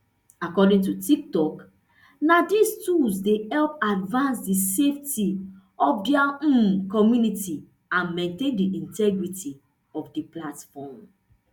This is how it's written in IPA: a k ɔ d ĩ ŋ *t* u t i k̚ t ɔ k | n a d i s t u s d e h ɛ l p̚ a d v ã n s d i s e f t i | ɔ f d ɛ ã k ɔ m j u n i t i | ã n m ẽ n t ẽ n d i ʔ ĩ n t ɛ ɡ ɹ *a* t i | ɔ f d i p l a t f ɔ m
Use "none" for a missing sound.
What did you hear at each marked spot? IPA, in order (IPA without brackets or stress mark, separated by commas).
t, i